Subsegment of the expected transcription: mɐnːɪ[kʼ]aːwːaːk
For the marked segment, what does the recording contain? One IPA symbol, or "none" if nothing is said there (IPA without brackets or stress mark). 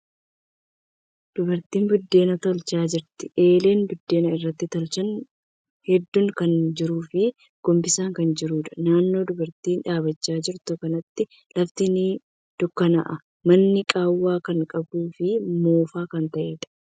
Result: kʼ